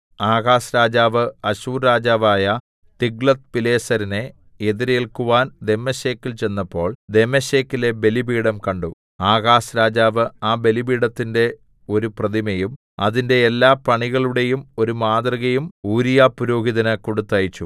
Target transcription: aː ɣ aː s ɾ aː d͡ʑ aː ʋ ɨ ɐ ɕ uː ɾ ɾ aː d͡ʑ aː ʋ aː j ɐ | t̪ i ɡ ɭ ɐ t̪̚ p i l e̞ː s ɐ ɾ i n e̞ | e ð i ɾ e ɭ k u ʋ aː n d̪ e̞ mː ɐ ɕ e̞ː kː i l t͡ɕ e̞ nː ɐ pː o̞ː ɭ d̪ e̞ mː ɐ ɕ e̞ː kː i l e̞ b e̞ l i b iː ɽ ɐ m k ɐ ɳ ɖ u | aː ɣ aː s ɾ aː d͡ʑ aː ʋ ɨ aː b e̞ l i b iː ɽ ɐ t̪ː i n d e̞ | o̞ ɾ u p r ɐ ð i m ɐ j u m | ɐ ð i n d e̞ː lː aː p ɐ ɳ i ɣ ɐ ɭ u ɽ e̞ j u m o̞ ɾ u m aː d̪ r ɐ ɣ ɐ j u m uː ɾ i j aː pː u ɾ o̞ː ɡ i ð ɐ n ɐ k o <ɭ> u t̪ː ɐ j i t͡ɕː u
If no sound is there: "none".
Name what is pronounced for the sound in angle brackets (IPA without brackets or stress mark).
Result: ɽ